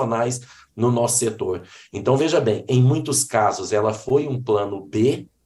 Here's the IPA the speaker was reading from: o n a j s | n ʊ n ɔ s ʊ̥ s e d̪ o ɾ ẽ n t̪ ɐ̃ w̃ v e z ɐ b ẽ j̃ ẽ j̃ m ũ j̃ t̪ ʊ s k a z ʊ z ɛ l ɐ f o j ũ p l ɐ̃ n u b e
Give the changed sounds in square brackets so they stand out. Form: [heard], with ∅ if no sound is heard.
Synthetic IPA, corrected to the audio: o n a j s | n ʊ n ɔ s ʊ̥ s e [t̪] o ɾ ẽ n t̪ ɐ̃ w̃ v e [ʒ] ɐ b ẽ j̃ ẽ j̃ m ũ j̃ t̪ ʊ s k a z ʊ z ɛ l ɐ f o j ũ p l ɐ̃ n [ʊ] b e